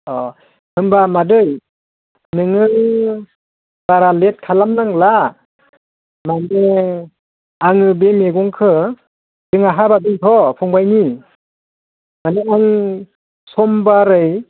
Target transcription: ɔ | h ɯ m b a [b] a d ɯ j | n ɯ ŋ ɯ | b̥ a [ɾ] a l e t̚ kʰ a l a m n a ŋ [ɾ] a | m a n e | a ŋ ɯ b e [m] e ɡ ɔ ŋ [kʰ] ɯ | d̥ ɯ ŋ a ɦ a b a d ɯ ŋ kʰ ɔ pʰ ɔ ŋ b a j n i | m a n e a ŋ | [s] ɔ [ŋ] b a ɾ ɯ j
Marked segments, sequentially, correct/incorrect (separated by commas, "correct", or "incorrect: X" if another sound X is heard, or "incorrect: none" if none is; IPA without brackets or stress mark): incorrect: m, correct, incorrect: l, correct, correct, correct, incorrect: m